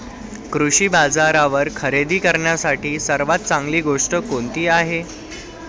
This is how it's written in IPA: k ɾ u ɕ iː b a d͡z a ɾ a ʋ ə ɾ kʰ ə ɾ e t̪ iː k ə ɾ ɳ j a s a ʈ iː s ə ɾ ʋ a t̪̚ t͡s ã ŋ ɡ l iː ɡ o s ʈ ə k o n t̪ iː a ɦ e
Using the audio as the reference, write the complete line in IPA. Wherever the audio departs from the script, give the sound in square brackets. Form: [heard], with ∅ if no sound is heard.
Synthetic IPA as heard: k ɾ u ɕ iː b a d͡z a ɾ a ʋ ə ɾ kʰ ə ɾ e [d̪] iː k ə ɾ ɳ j a s a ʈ iː s ə ɾ ʋ a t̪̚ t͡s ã ŋ ɡ l iː ɡ o [ʂ] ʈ ə k o n t̪ iː a ɦ e